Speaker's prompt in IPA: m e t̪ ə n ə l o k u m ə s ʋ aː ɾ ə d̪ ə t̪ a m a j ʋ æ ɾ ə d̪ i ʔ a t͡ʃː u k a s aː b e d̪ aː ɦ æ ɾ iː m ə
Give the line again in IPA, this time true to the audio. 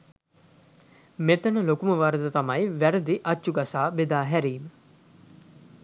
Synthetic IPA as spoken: m e t̪ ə n ə l o k u m ə ʋ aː ɾ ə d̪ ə t̪ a m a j ʋ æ ɾ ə d̪ i ʔ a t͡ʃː u ɡ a s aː b e d̪ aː ɦ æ ɾ iː m ə